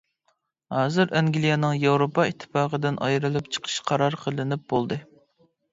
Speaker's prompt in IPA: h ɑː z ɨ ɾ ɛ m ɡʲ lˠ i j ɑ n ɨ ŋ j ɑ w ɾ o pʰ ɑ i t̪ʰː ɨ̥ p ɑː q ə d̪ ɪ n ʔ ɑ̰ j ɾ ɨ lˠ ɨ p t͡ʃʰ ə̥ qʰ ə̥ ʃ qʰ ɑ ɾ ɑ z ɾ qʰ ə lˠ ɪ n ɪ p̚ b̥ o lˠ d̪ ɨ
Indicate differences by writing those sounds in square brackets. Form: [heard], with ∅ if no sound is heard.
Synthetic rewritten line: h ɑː z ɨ ɾ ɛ [ŋ] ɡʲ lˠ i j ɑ n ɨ ŋ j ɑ w ɾ o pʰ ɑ i t̪ʰː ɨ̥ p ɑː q ə d̪ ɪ n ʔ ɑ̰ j ɾ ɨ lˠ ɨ p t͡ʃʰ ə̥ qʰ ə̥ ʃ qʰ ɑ ɾ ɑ [∅] ɾ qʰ ə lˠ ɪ n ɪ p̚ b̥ o lˠ d̪ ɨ

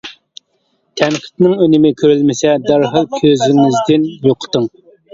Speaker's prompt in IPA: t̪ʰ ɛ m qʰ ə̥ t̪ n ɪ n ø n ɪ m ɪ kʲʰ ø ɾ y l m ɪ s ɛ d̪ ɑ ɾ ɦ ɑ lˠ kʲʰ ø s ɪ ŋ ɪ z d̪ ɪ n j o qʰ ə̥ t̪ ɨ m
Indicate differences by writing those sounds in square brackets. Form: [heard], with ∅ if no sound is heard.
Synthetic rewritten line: t̪ʰ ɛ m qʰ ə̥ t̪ n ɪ [ŋ] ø n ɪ m ɪ kʲʰ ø ɾ y l m ɪ s ɛ d̪ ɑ ɾ ɦ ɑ lˠ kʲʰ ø [z] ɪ ŋ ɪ z d̪ ɪ n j o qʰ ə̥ t̪ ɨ [ŋ]

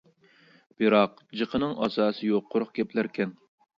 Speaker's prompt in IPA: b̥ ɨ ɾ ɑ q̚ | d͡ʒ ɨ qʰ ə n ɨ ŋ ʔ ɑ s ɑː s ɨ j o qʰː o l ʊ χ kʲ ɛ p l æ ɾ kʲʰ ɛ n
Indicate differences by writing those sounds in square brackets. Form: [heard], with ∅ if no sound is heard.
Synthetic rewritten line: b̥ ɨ ɾ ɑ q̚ | d͡ʒ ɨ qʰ ə n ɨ ŋ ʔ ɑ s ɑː s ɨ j o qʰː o [ɾ] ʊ χ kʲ ɛ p l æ ɾ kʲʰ ɛ n

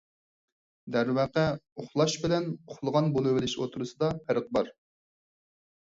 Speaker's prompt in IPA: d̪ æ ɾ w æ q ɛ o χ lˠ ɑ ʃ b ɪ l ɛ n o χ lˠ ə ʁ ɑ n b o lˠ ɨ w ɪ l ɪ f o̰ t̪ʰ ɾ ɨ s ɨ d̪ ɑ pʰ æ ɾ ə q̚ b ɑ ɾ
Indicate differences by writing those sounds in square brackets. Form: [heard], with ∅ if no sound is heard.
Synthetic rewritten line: d̪ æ ɾ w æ q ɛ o χ lˠ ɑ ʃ b ɪ l ɛ n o χ lˠ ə ʁ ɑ n b o lˠ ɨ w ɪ l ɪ [ʃ] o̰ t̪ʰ ɾ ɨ s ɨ d̪ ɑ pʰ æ ɾ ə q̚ b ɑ ɾ

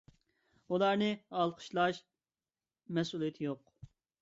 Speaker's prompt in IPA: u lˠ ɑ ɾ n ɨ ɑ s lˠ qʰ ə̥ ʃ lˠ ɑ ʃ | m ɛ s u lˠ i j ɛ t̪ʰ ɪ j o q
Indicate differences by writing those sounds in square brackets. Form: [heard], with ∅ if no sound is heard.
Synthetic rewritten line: u lˠ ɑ ɾ n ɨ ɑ [∅] lˠ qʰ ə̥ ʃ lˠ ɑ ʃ | m ɛ s u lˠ i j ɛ t̪ʰ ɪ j o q

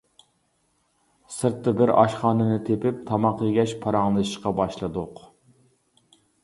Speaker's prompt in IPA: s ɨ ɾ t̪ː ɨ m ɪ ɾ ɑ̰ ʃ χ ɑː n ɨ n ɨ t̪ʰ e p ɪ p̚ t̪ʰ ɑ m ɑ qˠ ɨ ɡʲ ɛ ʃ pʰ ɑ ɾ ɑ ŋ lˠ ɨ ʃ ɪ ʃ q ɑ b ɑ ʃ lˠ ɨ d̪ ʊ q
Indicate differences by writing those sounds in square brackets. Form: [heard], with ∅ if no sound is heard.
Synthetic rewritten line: s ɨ ɾ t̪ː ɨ [b] ɪ ɾ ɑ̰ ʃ χ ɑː n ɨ n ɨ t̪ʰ e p ɪ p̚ t̪ʰ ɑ m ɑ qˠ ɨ ɡʲ ɛ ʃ pʰ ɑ ɾ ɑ ŋ lˠ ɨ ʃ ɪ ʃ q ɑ b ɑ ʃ lˠ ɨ d̪ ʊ q

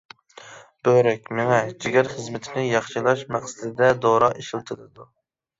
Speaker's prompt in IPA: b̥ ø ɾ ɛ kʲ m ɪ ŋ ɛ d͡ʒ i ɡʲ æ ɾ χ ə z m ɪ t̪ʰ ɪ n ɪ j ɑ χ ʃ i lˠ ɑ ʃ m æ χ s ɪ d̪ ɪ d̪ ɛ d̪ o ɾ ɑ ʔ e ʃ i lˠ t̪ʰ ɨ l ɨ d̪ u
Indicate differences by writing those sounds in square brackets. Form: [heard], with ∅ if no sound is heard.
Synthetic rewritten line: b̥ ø ɾ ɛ kʲ m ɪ ŋ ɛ d͡ʒ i ɡʲ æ ɾ χ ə z m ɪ t̪ʰ ɪ n ɪ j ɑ χ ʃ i lˠ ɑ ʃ m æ χ s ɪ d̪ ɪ d̪ ɛ d̪ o ɾ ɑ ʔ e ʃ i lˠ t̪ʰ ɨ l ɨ d̪ u

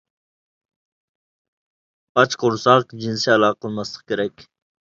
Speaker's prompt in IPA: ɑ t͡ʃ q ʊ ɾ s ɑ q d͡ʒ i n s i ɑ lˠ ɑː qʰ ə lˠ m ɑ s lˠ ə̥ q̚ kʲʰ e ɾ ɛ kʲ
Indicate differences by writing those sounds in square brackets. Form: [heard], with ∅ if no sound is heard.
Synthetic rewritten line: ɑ t͡ʃ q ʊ ɾ s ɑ q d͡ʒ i n s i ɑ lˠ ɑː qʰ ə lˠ m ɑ s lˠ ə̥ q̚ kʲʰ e ɾ ɛ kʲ

